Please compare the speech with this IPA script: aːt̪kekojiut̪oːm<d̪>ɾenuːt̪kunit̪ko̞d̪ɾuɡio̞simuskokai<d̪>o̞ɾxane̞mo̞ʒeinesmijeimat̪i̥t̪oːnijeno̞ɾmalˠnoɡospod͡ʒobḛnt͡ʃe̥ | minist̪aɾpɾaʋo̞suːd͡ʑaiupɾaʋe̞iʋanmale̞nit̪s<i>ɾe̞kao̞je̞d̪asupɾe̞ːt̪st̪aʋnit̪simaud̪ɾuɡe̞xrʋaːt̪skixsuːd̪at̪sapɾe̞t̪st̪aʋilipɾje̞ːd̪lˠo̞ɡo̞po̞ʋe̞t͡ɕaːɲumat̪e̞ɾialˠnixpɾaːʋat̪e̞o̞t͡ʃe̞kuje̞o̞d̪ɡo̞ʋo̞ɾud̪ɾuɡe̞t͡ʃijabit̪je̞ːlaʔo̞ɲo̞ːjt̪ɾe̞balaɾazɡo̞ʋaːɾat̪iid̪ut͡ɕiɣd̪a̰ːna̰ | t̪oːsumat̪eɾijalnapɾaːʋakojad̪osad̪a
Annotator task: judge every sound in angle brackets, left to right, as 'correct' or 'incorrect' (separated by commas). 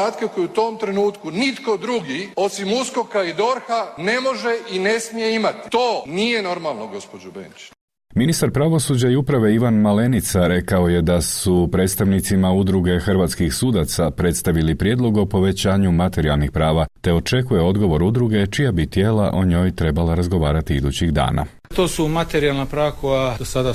incorrect, correct, incorrect